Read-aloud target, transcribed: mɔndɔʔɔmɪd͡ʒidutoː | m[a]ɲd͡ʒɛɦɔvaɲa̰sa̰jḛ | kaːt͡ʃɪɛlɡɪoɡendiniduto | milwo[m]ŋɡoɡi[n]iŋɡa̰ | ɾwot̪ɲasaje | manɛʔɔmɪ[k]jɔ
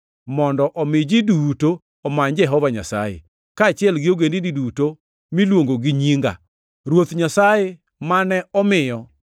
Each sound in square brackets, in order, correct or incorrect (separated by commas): correct, incorrect, incorrect, incorrect